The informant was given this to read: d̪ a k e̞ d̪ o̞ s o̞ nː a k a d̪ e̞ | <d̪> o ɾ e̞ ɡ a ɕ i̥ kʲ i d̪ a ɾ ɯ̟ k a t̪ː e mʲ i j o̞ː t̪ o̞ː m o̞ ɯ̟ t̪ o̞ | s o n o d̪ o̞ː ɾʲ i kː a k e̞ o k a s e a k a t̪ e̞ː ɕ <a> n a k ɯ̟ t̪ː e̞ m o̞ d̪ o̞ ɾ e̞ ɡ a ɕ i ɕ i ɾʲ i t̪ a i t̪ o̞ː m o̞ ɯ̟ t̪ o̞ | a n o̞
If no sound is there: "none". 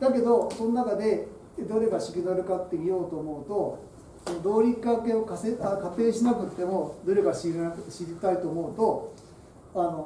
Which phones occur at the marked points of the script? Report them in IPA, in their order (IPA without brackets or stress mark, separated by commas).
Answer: d̪, i